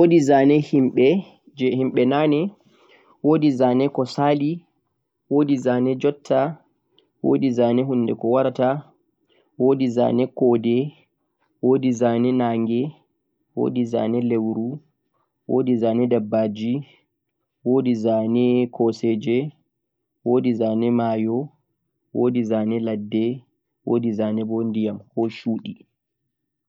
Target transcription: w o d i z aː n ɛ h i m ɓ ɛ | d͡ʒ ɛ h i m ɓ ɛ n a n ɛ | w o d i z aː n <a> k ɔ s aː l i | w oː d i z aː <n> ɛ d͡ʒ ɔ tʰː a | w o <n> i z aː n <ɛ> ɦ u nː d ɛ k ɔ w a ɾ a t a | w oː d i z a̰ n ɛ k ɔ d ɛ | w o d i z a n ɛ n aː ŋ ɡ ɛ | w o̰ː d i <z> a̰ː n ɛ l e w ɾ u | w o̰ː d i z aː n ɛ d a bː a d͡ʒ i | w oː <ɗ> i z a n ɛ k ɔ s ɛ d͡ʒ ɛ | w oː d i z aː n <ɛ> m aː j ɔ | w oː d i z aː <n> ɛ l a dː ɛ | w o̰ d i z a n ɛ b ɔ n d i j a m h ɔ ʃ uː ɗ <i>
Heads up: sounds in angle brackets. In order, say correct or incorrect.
incorrect, correct, incorrect, correct, correct, incorrect, correct, correct, correct

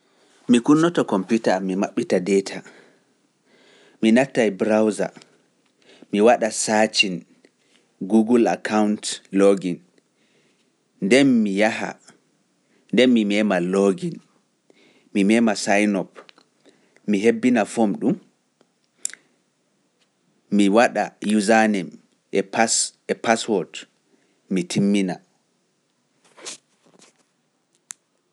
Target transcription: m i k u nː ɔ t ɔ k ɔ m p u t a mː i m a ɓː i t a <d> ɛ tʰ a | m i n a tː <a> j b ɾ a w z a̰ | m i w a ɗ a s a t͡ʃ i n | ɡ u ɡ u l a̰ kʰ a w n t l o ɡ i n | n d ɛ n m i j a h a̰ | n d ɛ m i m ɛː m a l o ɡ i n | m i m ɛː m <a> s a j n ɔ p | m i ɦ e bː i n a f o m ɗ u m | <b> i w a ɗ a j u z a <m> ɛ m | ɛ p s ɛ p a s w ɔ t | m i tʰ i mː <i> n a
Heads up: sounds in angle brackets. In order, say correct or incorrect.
correct, correct, correct, incorrect, incorrect, correct

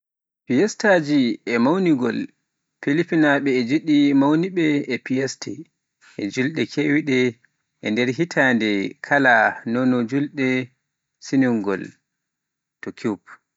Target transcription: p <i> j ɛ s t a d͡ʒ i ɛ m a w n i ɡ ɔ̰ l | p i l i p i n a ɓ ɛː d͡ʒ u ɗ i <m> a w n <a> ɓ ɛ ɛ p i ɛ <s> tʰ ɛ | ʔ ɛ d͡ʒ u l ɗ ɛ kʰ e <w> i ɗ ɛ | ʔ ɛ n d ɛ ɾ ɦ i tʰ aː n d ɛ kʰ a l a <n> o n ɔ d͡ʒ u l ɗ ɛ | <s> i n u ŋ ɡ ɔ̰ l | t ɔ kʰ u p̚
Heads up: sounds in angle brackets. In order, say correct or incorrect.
correct, correct, incorrect, correct, correct, correct, correct

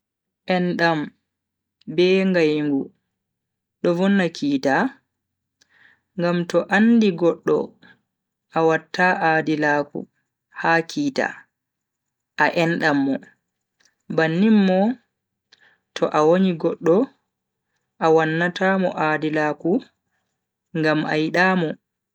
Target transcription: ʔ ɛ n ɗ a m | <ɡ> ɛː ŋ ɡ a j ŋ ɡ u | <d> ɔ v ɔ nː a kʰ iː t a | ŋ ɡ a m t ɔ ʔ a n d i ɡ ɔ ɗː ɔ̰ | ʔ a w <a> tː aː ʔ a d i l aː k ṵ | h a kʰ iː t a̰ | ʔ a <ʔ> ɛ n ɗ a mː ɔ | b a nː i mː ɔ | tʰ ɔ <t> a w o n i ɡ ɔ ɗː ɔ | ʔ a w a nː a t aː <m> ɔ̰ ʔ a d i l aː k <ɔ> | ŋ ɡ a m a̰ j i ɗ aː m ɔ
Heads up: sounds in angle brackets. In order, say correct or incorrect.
incorrect, incorrect, correct, correct, incorrect, correct, incorrect

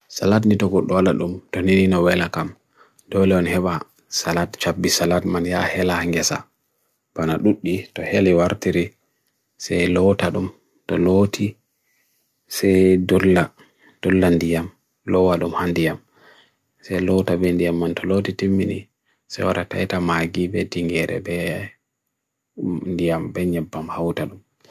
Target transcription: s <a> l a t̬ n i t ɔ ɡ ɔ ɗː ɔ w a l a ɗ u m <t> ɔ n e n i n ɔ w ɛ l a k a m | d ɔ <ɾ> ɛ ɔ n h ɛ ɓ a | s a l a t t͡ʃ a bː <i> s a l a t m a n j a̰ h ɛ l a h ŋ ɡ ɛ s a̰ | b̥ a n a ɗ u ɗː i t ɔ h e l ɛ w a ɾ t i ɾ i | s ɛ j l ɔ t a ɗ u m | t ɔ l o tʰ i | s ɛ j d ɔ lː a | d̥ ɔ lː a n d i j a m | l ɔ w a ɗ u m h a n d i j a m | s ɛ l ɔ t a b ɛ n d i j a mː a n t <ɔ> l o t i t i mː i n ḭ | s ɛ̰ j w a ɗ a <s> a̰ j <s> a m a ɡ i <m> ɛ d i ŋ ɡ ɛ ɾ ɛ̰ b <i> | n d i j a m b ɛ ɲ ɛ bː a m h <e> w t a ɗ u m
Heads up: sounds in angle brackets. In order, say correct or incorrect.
correct, correct, incorrect, correct, correct, incorrect, incorrect, incorrect, incorrect, incorrect

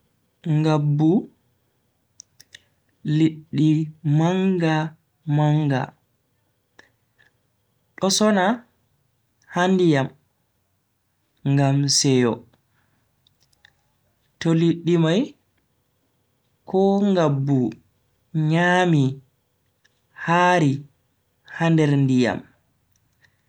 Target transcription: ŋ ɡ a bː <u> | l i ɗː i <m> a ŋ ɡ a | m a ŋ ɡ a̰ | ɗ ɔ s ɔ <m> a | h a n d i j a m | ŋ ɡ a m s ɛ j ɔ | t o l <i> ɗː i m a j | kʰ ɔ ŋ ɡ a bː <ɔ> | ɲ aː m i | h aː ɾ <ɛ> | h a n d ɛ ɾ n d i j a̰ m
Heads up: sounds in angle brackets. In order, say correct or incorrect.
correct, correct, incorrect, correct, incorrect, incorrect

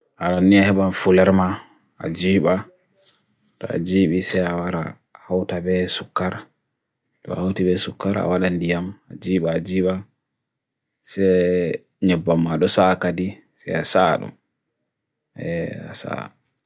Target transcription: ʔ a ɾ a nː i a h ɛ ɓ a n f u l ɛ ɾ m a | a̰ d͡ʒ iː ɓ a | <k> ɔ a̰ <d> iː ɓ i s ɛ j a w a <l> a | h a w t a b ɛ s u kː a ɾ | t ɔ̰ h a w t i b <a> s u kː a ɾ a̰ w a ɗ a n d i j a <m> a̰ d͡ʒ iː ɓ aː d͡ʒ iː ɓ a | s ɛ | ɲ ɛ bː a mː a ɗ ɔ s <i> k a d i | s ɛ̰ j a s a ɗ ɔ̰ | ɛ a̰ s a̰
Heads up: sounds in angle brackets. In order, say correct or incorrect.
incorrect, incorrect, incorrect, incorrect, correct, incorrect

